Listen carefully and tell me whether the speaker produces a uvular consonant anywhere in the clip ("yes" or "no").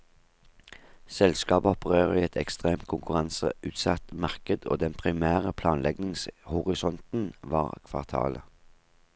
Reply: yes